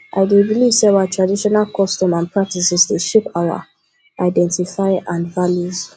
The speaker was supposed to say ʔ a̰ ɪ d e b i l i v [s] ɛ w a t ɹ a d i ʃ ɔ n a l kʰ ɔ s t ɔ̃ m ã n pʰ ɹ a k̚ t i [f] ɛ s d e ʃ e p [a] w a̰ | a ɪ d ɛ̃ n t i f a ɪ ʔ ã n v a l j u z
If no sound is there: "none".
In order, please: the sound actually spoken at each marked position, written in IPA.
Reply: s, s, a

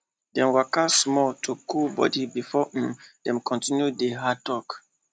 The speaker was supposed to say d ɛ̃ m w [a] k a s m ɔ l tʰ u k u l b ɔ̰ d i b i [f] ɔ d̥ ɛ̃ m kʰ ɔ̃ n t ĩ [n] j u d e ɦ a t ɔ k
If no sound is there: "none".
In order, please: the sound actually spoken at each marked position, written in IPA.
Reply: a, f, n

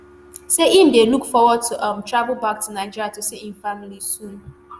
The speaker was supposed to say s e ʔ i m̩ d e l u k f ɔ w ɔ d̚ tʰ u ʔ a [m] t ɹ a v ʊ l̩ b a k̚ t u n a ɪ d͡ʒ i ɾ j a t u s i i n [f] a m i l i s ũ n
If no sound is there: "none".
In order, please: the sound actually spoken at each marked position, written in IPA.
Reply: m, f

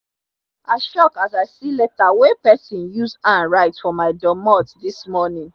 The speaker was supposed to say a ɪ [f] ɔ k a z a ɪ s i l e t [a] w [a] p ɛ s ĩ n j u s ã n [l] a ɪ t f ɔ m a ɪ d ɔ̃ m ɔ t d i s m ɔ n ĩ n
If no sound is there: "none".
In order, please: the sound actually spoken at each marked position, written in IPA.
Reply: ʃ, a, e, ɹ

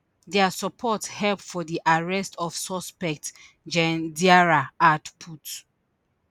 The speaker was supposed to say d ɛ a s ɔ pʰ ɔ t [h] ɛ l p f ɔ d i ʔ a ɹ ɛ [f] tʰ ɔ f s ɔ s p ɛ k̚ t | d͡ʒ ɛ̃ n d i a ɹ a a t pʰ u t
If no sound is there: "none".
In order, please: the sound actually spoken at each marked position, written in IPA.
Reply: h, s

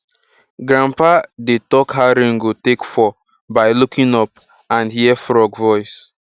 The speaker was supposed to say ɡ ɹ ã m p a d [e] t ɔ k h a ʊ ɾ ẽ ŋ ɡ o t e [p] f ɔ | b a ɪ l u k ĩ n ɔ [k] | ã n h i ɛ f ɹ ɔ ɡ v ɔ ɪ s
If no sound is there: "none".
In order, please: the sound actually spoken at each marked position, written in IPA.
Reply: e, k, p

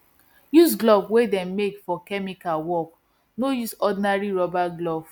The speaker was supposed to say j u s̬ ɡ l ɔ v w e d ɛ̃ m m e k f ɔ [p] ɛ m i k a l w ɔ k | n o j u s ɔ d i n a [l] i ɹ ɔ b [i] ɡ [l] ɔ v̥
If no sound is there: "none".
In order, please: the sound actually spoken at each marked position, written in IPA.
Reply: k, ɹ, a, l

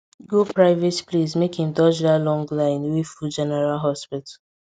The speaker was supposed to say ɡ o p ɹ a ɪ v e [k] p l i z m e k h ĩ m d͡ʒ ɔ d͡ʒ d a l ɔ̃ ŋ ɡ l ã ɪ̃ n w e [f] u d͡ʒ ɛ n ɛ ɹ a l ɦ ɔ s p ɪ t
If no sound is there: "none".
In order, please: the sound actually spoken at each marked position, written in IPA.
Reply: t, f

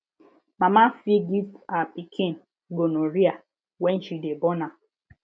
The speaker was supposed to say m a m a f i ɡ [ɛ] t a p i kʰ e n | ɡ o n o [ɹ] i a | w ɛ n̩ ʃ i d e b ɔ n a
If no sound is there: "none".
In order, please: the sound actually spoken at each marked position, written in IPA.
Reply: i, ɾ

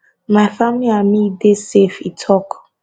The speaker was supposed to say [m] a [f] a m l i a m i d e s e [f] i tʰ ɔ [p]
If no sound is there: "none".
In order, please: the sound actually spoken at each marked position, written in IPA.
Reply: m, f, f, k

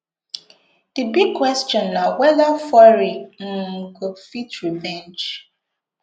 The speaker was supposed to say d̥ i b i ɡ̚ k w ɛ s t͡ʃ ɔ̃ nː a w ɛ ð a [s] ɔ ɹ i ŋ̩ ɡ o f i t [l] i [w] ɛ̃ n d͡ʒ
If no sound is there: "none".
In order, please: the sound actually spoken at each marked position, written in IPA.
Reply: f, ɹ, v

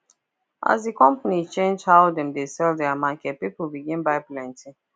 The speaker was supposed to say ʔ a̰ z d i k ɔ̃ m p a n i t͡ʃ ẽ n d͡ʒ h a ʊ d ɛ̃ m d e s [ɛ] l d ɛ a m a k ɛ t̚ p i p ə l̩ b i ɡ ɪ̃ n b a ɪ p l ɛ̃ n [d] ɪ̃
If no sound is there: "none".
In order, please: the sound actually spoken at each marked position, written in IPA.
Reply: ɛ, t

